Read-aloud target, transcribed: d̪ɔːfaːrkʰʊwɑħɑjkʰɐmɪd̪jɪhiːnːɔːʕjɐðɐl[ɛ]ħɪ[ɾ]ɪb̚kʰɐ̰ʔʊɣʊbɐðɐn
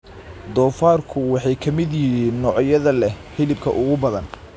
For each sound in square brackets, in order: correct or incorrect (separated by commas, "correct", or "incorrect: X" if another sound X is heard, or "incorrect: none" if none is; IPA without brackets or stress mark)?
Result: correct, incorrect: l